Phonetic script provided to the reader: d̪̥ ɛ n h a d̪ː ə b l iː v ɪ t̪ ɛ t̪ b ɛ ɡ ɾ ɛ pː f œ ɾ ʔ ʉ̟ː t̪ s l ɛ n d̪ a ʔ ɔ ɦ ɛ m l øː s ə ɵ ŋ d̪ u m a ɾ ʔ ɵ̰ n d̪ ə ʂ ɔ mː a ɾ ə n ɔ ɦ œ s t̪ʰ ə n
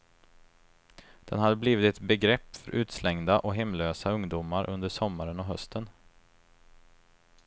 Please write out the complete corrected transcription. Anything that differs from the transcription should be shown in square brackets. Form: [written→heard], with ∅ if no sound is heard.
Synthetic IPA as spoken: d̪̥ ɛ n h a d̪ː ə b l iː v ɪ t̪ ɛ t̪ b ɛ ɡ ɾ ɛ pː f œ ɾ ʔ ʉ̟ː t̪ s l ɛ [n→ŋ] d̪ a ʔ ɔ ɦ ɛ m l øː s [ə→a] ɵ ŋ d̪ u m a ɾ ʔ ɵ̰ n d̪ ə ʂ ɔ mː a ɾ ə n ɔ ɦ œ s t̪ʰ ə n

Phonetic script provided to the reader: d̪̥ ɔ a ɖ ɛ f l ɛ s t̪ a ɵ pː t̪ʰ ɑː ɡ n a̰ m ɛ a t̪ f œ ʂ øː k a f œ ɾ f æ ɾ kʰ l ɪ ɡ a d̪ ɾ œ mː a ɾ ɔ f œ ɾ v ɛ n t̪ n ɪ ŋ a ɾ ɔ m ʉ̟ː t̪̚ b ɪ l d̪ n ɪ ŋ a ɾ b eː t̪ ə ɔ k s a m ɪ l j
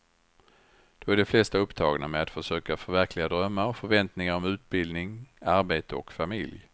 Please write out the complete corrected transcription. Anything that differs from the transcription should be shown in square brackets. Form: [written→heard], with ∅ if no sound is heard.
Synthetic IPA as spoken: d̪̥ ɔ [a→æ] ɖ ɛ f l ɛ s t̪ a ɵ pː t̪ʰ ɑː ɡ n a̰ m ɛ a t̪ f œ ʂ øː k a f œ ɾ [f→v] æ ɾ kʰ l ɪ ɡ a d̪ ɾ œ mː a ɾ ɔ f œ ɾ v ɛ n t̪ n ɪ ŋ a ɾ ɔ m ʉ̟ː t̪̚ b ɪ l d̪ n ɪ ŋ a ɾ b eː t̪ ə ɔ k [s→f] a m ɪ l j

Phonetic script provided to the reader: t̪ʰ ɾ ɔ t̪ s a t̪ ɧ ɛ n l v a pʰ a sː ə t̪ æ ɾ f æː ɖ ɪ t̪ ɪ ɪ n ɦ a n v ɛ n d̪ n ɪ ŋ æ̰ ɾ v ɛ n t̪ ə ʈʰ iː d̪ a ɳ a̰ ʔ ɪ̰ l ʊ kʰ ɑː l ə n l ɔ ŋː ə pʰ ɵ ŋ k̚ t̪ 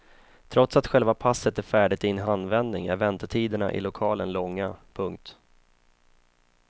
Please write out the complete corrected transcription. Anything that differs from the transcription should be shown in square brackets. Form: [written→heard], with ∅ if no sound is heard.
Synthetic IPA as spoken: t̪ʰ ɾ ɔ t̪ s a t̪ ɧ ɛ [n→∅] l v a pʰ a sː ə t̪ æ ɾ f æː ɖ ɪ t̪ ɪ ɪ n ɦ a n v ɛ n d̪ n ɪ ŋ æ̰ ɾ v ɛ n t̪ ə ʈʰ iː d̪ [a→ə] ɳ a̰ ʔ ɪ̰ l ʊ kʰ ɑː l ə n l ɔ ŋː [ə→a] pʰ ɵ ŋ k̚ t̪

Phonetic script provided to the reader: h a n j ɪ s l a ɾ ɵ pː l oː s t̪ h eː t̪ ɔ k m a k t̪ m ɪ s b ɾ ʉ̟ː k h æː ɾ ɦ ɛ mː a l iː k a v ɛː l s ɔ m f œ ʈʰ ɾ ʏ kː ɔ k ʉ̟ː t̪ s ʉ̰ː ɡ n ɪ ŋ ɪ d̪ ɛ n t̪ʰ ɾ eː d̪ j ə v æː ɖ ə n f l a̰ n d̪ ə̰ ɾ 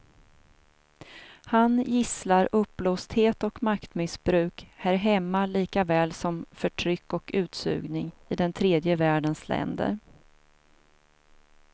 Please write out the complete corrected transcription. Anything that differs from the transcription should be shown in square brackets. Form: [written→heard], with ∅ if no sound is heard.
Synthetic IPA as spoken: h a n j ɪ s l a ɾ ɵ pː l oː s t̪ h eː t̪ ɔ k m a k t̪ m ɪ s b ɾ ʉ̟ː k h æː ɾ ɦ ɛ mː a l iː k a v ɛː l s ɔ m f œ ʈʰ ɾ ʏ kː ɔ k ʉ̟ː t̪ s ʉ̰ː ɡ n ɪ ŋ ɪ d̪ ɛ n t̪ʰ ɾ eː d̪ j ə v æː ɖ ə n [f→s] l [a̰→ɛ̰] n d̪ ə̰ ɾ

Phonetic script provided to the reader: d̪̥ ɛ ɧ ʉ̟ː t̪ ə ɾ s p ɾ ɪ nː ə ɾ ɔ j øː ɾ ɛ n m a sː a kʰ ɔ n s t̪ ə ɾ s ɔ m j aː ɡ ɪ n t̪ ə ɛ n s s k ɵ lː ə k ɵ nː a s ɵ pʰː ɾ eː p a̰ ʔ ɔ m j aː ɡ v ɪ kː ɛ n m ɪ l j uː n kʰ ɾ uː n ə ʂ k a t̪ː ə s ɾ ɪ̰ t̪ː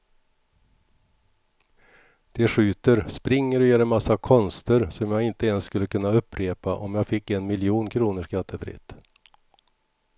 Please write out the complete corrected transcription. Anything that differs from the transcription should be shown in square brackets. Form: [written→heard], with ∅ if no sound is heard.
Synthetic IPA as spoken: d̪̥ ɛ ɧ ʉ̟ː t̪ ə ɾ s p ɾ ɪ [nː→ŋː] ə ɾ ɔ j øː ɾ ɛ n m a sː a kʰ ɔ n s t̪ ə ɾ s ɔ m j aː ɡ ɪ n t̪ ə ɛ n s s k ɵ lː ə k ɵ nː a [s→∅] ɵ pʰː ɾ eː p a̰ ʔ ɔ m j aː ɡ [v→f] ɪ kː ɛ n m ɪ l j uː n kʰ ɾ uː n ə ʂ k a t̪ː ə [s→f] ɾ ɪ̰ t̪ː

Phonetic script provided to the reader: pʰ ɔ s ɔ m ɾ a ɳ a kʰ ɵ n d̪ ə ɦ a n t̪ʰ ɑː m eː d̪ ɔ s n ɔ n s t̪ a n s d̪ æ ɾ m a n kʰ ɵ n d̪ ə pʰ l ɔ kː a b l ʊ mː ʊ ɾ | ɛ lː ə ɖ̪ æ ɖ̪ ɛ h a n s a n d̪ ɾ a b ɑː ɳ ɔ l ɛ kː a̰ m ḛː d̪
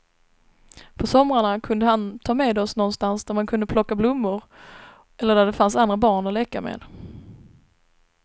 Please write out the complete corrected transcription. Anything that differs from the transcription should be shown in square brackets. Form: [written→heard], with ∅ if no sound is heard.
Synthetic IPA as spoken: pʰ ɔ s ɔ m ɾ a ɳ a kʰ ɵ n d̪ ə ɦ a n t̪ʰ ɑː m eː d̪ ɔ s n ɔ n s t̪ a n s d̪ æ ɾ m a n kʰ ɵ n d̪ ə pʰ l ɔ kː a b l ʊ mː ʊ ɾ | ɛ lː ə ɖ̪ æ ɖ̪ ɛ [h→f] a n s a n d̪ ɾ a b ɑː ɳ ɔ l ɛ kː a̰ m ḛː d̪

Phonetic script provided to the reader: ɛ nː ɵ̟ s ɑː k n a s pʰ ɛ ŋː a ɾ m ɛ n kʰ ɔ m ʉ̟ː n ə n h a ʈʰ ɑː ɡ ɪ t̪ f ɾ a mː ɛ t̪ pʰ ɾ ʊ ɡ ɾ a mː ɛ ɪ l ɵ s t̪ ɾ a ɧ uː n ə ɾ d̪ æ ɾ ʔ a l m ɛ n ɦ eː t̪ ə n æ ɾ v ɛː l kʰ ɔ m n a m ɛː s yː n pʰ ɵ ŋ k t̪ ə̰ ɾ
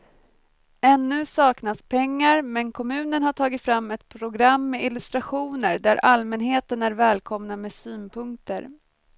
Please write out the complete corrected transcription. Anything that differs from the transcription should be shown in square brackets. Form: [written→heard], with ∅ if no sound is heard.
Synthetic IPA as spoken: ɛ nː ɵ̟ s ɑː k n a s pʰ ɛ ŋː a ɾ m ɛ n kʰ ɔ m ʉ̟ː n ə n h a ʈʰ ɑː ɡ ɪ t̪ f ɾ a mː ɛ t̪ pʰ ɾ ʊ ɡ ɾ a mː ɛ ɪ l ɵ s t̪ ɾ a ɧ uː n ə ɾ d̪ æ ɾ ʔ a l m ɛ n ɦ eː t̪ ə n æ ɾ v ɛː l kʰ ɔ m n a m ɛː s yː n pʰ ɵ ŋ k t̪ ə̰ ɾ

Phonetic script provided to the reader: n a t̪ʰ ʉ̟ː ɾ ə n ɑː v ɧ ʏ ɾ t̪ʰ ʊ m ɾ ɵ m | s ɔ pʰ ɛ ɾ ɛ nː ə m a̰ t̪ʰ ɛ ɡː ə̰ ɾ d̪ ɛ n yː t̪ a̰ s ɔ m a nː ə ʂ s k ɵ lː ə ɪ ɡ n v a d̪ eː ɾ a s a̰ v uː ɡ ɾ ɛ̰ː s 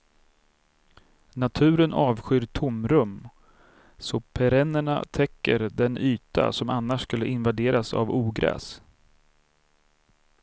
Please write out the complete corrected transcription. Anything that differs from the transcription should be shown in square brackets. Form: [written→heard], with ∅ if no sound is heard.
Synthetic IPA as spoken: n a t̪ʰ ʉ̟ː ɾ ə n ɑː v ɧ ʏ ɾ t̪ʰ ʊ m ɾ ɵ m | s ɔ pʰ ɛ ɾ ɛ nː ə [m→ɳ] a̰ t̪ʰ ɛ [ɡː→kː] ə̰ ɾ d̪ ɛ n yː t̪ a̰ s ɔ m a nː [ə→a] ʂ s k ɵ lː ə ɪ [ɡ→∅] n v a d̪ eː ɾ a s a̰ v uː ɡ ɾ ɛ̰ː s

